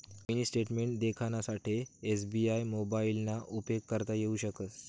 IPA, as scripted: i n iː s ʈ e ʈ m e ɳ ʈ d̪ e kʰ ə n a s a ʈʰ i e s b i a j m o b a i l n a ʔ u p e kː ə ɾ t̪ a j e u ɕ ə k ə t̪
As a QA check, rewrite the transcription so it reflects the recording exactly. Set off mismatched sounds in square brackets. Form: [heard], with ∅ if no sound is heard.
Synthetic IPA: i n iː s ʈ e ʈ m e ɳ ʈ d̪ e kʰ [a] n a s a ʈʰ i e s b i a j m o b a i l n a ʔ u p e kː ə ɾ t̪ a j e u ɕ ə k ə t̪